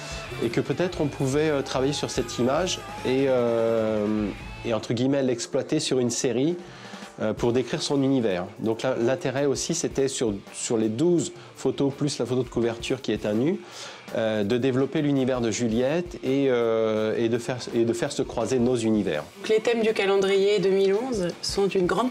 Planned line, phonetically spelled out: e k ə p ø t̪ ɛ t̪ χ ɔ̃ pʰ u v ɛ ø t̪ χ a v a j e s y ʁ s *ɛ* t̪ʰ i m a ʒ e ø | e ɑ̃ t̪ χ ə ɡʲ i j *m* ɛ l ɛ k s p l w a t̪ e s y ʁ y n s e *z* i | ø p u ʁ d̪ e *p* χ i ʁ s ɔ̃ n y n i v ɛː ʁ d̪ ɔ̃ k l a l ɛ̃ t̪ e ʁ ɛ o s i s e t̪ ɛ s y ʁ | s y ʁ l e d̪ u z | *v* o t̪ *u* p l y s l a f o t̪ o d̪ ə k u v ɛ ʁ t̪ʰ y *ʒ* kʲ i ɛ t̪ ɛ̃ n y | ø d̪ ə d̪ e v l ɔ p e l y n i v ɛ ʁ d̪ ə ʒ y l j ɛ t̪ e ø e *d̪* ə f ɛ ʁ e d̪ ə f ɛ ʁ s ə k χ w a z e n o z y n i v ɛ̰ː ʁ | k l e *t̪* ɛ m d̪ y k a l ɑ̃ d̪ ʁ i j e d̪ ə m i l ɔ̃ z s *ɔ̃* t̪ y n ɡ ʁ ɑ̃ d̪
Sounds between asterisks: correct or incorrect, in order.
correct, correct, incorrect: ʁ, incorrect: k, incorrect: f, incorrect: o, incorrect: ʁ, correct, correct, correct

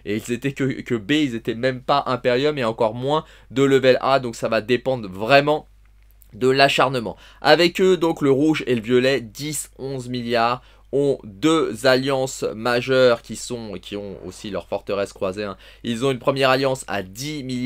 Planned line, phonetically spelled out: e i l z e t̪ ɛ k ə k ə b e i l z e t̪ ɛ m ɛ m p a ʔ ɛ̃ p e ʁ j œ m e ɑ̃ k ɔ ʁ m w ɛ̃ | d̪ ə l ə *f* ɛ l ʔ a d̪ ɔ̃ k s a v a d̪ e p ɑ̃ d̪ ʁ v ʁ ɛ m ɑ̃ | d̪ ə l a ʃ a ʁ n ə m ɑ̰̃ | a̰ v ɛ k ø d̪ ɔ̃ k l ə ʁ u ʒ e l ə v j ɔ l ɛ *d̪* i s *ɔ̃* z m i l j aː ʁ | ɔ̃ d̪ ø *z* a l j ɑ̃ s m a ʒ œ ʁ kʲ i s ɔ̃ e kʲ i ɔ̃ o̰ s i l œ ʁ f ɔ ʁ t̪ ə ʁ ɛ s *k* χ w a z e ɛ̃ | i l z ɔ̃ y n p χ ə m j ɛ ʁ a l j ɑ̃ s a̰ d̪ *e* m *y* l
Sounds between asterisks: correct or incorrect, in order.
incorrect: v, correct, correct, correct, correct, incorrect: i, incorrect: i

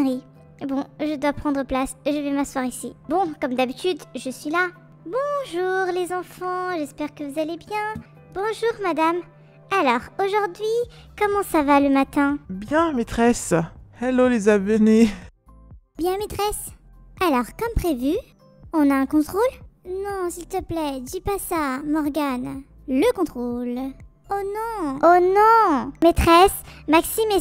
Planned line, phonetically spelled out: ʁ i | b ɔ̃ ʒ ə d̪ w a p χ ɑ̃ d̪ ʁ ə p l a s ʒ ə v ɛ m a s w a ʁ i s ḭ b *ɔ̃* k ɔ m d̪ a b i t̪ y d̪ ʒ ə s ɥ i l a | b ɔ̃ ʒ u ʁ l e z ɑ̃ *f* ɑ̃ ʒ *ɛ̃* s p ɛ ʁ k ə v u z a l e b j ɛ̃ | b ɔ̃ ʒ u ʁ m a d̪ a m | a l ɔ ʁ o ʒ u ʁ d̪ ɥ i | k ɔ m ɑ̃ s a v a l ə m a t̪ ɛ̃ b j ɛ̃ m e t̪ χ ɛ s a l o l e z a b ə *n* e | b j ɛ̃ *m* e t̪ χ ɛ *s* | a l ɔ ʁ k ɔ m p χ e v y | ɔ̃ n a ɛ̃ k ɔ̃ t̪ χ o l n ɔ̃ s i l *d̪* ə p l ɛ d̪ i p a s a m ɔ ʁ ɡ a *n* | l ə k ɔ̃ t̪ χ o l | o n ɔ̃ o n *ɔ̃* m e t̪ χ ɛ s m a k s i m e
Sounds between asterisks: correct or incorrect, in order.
correct, correct, incorrect: ɛ, correct, correct, correct, incorrect: t̪, correct, correct

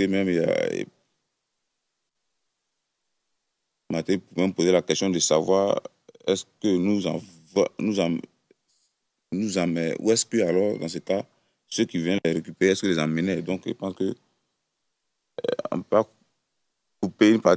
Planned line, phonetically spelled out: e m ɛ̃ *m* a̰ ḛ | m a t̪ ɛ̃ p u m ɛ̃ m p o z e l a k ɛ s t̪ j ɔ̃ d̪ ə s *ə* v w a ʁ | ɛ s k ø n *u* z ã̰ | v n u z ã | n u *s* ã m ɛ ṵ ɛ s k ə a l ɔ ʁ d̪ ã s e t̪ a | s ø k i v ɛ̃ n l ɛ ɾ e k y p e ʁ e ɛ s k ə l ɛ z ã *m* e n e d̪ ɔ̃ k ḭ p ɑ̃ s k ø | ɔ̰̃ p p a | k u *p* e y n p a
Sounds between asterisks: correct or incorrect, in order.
correct, incorrect: a, correct, incorrect: z, correct, correct

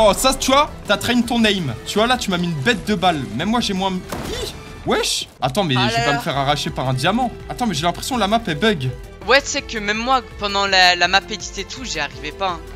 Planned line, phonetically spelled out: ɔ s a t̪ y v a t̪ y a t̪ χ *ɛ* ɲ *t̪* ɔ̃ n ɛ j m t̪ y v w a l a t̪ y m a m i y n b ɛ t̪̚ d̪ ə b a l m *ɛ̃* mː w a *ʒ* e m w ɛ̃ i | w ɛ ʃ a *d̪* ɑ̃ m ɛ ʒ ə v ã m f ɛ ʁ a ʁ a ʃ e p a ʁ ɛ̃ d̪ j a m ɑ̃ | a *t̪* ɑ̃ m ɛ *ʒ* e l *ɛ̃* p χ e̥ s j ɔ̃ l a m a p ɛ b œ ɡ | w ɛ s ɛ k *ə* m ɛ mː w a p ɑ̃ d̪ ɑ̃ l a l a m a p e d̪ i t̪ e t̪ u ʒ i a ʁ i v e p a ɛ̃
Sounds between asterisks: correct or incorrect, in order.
correct, correct, incorrect: ɛ, correct, incorrect: t̪, correct, correct, correct, correct

